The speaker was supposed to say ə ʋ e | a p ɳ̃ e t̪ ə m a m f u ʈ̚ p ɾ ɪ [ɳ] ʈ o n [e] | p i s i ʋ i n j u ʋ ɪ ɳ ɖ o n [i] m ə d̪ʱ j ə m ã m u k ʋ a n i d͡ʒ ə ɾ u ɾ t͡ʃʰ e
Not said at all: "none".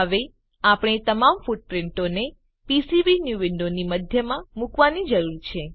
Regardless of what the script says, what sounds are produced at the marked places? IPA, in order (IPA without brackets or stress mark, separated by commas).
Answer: ɳ, e, i